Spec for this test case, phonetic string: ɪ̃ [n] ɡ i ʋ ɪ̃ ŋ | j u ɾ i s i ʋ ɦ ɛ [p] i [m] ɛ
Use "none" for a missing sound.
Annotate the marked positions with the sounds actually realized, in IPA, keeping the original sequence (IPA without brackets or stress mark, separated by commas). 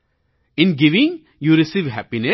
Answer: n, p, n